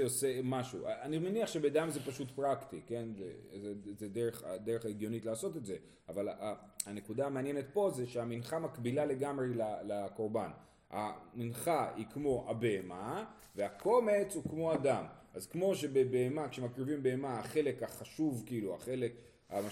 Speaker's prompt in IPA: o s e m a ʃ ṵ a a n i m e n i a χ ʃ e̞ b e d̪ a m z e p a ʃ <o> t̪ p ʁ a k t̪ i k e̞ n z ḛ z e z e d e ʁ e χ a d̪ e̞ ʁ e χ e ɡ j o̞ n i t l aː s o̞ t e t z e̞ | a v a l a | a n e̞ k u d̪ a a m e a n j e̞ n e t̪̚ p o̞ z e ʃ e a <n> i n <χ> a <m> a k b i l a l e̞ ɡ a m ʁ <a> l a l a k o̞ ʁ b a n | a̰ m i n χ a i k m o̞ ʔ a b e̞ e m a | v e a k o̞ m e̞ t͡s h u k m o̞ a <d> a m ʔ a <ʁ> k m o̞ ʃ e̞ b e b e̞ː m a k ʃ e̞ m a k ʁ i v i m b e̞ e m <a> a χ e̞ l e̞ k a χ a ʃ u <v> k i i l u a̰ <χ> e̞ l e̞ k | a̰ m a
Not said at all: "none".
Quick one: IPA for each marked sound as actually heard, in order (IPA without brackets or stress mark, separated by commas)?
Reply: u, m, χ, m, e, d, z, a, v, χ